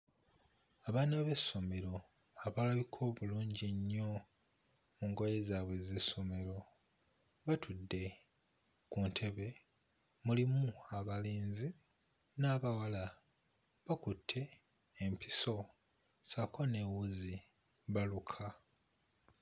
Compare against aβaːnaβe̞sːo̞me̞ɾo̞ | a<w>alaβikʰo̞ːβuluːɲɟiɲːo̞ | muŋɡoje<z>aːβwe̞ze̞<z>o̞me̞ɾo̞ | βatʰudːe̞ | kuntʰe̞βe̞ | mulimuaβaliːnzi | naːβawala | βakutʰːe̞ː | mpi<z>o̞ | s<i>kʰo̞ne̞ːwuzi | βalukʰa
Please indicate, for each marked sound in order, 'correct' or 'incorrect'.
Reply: incorrect, correct, incorrect, incorrect, incorrect

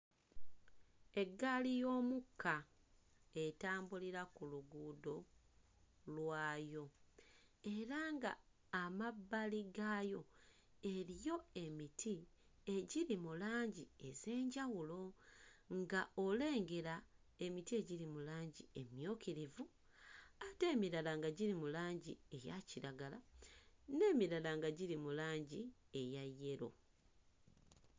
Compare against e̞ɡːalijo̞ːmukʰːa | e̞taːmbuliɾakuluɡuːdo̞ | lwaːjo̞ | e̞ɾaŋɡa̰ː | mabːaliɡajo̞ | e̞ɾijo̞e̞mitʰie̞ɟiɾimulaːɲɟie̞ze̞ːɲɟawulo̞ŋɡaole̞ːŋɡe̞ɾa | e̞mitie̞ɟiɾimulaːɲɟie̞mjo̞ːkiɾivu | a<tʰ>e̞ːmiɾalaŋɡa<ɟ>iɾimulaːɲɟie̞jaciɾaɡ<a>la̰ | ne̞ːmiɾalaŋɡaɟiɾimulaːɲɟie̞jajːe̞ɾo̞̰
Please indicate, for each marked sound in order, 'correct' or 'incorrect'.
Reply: incorrect, correct, correct

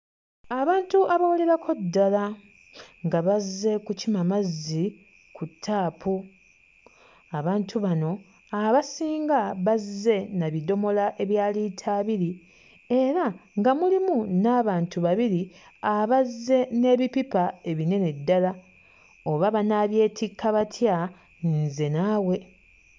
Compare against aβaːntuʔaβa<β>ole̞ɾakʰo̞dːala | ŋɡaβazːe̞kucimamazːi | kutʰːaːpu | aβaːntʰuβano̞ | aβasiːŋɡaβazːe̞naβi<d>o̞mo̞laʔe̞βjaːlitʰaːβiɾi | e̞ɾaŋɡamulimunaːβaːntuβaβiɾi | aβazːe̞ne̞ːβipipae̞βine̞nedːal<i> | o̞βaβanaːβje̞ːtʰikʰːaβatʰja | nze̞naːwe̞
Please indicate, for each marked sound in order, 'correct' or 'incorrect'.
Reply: incorrect, correct, incorrect

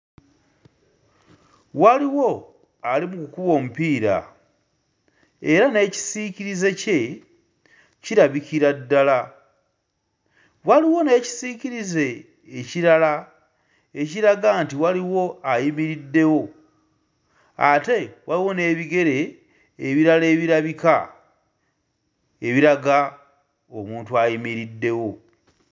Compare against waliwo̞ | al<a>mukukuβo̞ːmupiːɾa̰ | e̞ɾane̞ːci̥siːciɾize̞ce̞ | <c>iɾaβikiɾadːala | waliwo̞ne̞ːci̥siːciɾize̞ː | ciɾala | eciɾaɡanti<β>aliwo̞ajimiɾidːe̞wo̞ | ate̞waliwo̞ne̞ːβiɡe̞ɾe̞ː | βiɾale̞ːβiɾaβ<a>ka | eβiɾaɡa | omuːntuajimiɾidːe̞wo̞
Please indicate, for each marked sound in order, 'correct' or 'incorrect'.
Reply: incorrect, correct, incorrect, incorrect

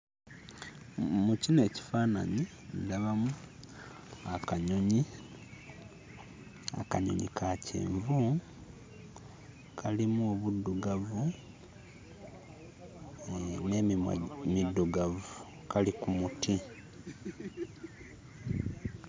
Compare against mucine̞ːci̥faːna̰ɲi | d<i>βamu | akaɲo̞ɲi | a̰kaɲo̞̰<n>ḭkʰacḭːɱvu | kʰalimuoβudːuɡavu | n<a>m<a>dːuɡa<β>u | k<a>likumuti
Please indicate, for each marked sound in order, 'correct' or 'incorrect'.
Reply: incorrect, incorrect, incorrect, incorrect, incorrect, correct

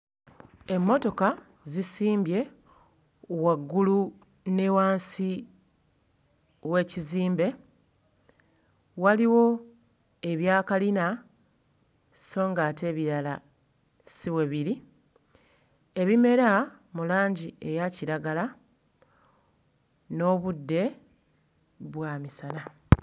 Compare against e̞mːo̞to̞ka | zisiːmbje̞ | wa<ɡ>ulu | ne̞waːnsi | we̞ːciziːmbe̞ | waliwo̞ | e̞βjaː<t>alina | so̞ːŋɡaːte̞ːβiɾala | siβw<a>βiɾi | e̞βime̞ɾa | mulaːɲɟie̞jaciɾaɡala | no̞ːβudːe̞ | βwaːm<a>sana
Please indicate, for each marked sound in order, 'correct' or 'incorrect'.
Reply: incorrect, incorrect, incorrect, incorrect

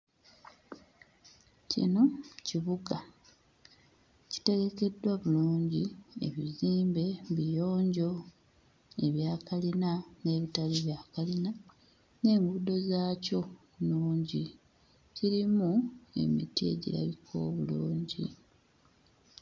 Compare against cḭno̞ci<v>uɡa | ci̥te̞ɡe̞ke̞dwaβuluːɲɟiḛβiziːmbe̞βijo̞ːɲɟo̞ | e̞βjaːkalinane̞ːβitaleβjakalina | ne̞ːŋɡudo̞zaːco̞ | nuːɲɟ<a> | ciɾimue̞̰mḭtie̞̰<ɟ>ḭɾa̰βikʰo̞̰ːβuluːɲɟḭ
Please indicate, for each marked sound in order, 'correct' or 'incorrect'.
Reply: incorrect, incorrect, correct

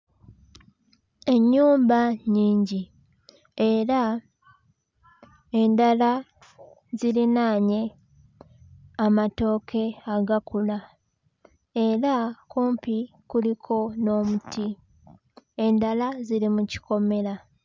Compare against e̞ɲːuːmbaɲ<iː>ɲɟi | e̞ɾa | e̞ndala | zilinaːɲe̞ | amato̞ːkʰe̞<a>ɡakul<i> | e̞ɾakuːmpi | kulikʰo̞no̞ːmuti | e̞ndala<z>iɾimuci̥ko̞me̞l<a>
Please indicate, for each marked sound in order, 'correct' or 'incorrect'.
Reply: correct, correct, incorrect, correct, correct

